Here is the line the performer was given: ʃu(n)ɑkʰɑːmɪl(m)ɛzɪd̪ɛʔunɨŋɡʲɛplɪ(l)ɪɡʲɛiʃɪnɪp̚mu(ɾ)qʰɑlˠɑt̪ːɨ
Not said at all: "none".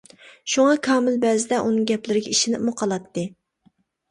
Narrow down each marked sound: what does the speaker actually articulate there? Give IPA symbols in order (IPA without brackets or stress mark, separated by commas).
ŋ, b, ɾ, none